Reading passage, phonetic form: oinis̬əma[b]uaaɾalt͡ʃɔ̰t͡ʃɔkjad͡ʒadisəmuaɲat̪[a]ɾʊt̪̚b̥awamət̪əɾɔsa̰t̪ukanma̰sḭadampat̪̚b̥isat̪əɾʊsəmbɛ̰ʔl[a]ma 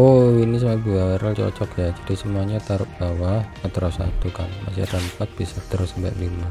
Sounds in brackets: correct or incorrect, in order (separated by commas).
correct, correct, incorrect